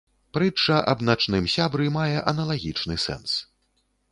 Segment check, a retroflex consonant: present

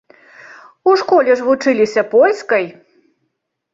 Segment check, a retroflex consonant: present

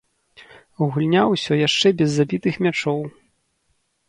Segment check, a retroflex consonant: present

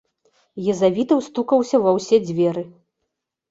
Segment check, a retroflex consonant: absent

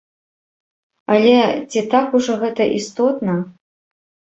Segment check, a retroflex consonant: present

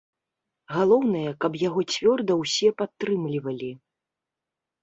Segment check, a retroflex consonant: absent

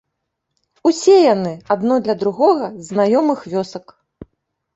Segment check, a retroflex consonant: absent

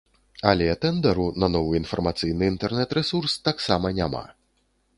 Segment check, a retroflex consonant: absent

